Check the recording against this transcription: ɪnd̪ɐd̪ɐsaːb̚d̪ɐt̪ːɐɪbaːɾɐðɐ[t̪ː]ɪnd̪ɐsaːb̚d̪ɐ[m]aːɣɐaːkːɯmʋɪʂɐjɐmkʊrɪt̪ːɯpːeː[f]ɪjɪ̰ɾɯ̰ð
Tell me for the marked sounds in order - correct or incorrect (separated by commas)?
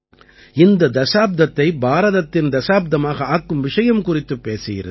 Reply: correct, correct, incorrect